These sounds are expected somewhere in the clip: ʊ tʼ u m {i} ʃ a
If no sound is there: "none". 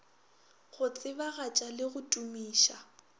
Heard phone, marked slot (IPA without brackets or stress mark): iː